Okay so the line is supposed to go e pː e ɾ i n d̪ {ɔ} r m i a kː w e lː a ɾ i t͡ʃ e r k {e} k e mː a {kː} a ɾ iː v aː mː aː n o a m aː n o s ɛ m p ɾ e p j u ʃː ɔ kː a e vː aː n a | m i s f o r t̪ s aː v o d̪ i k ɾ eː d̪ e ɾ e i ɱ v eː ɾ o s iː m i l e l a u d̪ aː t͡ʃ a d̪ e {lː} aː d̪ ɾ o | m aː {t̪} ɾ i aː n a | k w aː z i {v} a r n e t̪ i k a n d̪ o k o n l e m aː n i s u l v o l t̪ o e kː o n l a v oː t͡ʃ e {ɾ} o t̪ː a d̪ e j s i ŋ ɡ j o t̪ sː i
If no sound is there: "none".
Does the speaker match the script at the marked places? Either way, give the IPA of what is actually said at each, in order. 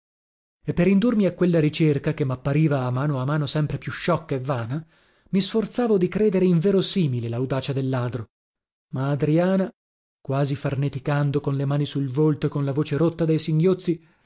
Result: u, a, pː, lː, d̪, f, ɾ

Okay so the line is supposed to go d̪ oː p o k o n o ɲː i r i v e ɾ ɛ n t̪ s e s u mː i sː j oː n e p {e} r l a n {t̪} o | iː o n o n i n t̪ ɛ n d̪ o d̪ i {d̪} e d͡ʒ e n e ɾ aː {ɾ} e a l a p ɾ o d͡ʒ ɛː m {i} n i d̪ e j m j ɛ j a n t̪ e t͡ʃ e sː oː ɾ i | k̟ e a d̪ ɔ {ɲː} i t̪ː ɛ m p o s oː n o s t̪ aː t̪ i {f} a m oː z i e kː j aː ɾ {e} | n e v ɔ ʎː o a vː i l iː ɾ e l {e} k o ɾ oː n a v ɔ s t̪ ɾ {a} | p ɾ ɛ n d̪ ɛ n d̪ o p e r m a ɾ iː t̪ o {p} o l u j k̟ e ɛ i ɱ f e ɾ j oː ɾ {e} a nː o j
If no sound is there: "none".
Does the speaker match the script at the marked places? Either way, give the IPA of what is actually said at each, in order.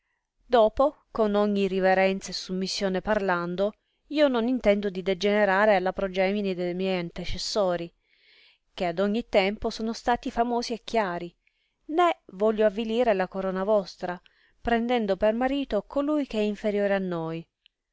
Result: a, d̪, d̪, ɾ, i, ɲː, f, i, a, a, k, e

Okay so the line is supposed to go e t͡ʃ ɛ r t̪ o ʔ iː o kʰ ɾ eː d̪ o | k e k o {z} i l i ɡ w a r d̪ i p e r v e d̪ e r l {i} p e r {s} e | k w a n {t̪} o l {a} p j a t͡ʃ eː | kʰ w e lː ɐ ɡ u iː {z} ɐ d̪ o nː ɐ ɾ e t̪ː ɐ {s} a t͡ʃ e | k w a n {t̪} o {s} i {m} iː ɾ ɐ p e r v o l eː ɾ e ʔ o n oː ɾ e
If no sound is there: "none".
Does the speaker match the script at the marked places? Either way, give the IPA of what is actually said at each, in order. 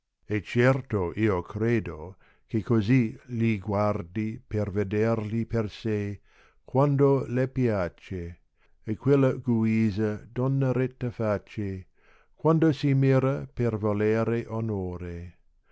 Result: z, i, s, d̪, e, z, f, d̪, s, m

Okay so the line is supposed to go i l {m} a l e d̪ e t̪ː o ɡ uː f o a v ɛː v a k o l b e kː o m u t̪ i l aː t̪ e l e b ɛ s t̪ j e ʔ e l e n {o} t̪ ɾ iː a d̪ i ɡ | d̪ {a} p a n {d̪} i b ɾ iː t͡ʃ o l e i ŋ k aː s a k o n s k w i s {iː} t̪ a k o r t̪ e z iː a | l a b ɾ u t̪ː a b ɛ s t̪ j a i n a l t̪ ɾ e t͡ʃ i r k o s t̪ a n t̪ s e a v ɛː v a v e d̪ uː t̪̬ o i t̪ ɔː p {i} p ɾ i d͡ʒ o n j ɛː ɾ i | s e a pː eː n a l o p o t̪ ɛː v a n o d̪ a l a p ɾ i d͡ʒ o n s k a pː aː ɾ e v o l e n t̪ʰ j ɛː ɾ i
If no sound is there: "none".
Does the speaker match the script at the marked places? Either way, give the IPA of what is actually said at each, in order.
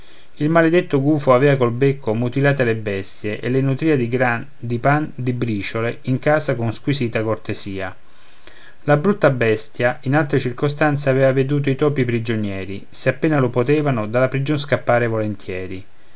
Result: m, u, i, d̪, iː, i

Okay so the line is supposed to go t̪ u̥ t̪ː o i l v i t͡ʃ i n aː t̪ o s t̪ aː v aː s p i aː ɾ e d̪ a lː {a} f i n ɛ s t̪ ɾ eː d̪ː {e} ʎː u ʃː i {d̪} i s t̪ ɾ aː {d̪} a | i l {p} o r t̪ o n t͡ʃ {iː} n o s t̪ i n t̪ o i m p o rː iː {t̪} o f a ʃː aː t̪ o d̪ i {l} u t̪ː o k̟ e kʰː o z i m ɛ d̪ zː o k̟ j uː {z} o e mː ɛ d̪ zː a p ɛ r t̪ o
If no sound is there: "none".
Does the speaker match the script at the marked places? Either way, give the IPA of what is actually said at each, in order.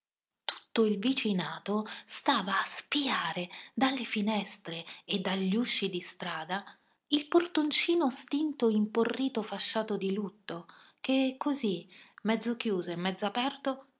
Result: e, a, d̪, d̪, p, iː, t̪, l, z

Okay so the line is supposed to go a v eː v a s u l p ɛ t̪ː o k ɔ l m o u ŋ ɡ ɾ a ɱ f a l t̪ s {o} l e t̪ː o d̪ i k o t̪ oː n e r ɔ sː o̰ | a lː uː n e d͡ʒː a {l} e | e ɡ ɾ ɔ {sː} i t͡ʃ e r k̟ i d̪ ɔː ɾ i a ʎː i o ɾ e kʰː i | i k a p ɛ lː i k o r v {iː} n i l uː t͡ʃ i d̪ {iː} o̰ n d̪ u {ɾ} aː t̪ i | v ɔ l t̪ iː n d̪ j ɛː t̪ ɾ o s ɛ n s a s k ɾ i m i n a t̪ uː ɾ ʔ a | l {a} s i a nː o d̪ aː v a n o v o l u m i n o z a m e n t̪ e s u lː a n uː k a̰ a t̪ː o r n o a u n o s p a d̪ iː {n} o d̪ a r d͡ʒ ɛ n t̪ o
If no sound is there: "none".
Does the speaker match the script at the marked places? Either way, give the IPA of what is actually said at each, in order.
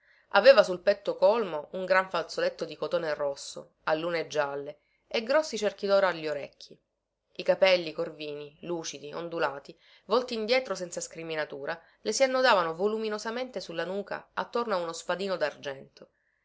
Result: o, lː, sː, iː, i, l, e, n

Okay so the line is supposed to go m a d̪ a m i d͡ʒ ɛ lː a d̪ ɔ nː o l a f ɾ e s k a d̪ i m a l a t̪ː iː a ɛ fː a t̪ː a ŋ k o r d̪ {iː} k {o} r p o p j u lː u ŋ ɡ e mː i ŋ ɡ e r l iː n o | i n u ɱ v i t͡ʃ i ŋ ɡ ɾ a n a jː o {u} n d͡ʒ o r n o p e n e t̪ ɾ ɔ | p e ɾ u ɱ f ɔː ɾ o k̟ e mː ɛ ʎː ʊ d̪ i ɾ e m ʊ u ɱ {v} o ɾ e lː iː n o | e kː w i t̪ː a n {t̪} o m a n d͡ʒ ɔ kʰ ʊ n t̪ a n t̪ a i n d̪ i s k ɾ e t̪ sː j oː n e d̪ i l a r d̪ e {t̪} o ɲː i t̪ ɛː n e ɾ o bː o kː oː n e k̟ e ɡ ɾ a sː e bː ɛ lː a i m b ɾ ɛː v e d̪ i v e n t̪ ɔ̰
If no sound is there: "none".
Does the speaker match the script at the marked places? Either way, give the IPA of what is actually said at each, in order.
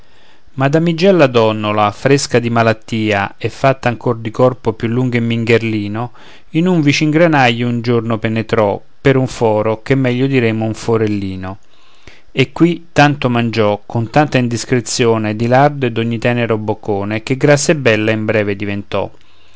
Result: i, ɔ, u, f, t̪, d̪

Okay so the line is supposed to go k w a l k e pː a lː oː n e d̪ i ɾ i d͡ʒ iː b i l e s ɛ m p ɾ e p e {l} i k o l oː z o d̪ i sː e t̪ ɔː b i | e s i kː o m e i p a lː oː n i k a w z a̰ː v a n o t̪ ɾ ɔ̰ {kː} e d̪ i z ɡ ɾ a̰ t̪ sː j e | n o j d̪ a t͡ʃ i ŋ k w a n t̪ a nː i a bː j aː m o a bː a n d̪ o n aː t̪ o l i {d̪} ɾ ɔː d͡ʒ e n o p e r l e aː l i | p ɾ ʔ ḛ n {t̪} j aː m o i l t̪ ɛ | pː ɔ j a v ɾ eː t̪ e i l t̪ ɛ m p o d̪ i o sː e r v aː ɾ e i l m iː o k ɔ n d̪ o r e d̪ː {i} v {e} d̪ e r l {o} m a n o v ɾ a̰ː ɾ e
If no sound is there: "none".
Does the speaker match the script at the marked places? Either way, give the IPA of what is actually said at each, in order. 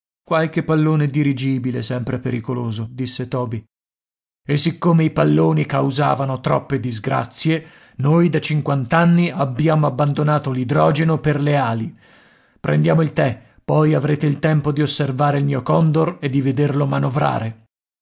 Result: ɾ, pː, d̪, d̪, i, e, o

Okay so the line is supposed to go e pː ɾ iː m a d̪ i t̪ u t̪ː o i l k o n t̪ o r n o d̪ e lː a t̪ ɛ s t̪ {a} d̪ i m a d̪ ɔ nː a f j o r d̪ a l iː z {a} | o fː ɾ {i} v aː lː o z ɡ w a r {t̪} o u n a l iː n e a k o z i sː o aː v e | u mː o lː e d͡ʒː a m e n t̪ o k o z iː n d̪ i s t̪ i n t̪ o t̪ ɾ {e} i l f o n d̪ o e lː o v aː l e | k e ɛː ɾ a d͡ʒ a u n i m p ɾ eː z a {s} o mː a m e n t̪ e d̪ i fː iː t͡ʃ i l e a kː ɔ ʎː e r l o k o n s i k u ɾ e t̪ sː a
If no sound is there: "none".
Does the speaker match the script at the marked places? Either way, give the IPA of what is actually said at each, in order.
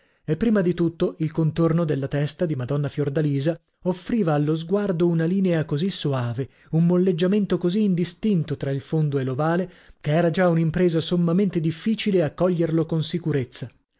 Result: a, a, iː, d̪, a, s

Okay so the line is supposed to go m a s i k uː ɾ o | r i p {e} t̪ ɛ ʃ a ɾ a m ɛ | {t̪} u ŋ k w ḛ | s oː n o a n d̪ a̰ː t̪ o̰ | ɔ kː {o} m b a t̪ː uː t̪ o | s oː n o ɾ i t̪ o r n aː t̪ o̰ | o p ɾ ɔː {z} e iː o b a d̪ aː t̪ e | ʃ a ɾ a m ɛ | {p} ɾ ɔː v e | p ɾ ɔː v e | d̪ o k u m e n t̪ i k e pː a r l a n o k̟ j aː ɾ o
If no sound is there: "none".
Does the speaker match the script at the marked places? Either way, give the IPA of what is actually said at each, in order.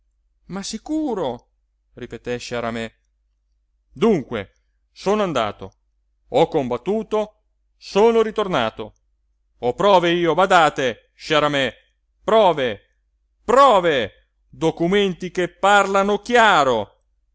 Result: e, d̪, o, v, p

